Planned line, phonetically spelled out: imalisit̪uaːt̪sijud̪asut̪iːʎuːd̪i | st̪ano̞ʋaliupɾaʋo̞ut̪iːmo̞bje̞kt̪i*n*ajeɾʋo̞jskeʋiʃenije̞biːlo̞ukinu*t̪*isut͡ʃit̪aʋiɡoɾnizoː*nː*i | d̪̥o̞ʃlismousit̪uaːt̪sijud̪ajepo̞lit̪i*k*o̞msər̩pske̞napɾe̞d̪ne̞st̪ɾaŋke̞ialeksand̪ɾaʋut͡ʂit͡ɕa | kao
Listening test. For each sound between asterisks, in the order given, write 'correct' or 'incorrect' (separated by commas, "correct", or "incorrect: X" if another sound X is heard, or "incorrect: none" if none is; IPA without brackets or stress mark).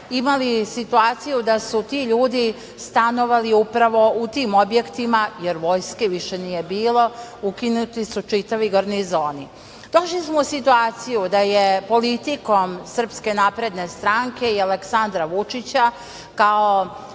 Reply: incorrect: m, correct, incorrect: n, correct